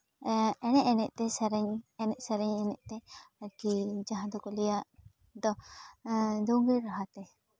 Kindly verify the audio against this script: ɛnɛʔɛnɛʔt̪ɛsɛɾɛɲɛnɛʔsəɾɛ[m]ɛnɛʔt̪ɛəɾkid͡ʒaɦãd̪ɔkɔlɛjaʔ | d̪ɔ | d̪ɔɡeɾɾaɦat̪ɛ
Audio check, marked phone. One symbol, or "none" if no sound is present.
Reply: ɲ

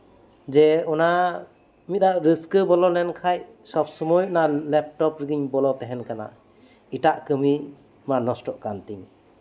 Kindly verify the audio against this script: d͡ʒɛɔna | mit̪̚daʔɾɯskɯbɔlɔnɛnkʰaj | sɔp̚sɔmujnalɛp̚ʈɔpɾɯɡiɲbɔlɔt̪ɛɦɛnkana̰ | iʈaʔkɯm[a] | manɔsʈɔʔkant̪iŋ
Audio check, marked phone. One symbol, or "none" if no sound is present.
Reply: i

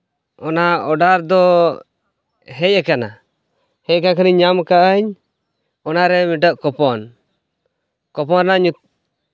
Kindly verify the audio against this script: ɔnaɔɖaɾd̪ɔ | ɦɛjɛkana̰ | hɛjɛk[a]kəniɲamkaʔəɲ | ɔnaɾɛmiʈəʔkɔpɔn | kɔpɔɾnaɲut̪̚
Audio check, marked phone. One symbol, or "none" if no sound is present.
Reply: a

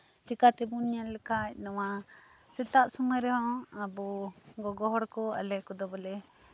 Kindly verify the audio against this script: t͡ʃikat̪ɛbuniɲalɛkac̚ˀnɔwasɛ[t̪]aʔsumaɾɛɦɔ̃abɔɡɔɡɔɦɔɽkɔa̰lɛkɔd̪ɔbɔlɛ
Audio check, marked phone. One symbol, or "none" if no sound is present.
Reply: t̪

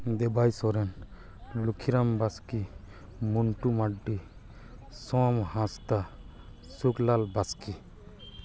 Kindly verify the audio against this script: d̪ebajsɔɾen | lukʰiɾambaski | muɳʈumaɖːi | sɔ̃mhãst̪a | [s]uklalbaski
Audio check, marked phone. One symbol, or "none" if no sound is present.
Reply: s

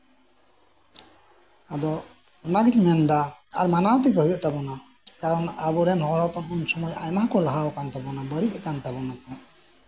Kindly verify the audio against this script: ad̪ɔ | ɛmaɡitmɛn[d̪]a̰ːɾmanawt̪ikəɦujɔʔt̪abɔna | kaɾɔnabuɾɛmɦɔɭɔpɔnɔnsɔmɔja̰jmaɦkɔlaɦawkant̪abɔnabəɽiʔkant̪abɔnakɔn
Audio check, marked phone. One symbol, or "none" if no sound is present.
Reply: d̪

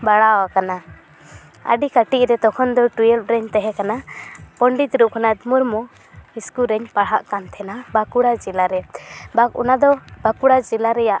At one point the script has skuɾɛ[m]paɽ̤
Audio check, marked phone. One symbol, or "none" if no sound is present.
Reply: ɲ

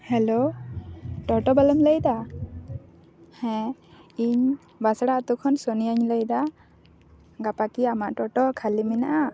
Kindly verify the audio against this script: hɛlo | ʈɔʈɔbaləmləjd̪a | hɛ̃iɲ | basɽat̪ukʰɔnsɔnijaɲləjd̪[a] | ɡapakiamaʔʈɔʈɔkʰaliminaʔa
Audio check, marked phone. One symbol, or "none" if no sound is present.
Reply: a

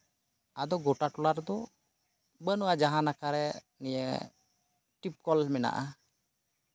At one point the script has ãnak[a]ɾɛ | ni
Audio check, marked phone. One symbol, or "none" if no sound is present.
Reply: a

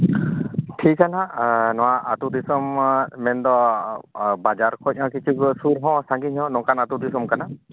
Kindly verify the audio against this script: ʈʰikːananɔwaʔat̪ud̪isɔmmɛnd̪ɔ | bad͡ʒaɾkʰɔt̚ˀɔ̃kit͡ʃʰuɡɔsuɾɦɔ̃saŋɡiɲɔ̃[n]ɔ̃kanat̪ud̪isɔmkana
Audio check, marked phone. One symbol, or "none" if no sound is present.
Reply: n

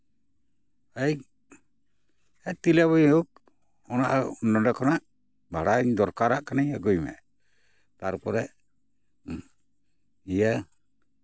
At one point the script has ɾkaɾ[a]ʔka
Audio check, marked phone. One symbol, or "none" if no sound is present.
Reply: a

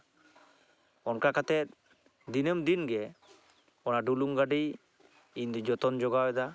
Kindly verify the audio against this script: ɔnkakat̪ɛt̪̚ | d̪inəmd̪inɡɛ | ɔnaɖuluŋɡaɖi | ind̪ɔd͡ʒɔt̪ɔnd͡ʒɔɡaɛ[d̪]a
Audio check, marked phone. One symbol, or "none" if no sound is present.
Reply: d̪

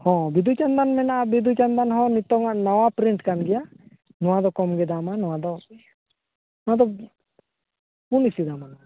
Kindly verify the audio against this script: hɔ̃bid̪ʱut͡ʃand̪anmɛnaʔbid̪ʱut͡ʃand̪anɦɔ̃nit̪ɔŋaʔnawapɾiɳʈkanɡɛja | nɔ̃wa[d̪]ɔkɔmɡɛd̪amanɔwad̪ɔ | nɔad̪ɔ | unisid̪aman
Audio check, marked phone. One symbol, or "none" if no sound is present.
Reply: d̪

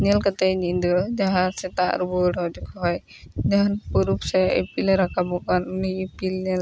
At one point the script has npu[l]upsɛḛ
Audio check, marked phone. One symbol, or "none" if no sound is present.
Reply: ɾ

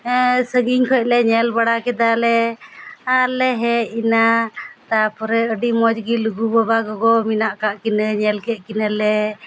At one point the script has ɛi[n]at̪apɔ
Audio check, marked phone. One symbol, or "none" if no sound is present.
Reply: n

